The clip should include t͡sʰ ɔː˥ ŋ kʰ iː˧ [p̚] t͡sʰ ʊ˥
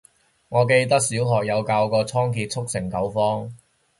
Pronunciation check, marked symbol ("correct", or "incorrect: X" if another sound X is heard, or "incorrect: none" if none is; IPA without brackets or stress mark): incorrect: t̚